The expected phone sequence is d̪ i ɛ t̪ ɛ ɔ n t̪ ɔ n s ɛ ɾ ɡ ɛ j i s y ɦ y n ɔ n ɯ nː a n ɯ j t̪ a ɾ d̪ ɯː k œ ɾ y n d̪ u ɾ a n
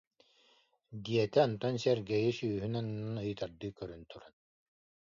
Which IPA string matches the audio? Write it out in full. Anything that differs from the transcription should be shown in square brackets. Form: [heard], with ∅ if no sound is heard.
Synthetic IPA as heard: d̪ i ɛ t̪ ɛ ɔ n t̪ ɔ n s ɛ ɾ ɡ ɛ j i s [yː] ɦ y n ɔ n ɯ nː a n ɯ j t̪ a ɾ d̪ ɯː k œ ɾ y n [t̪] u ɾ a n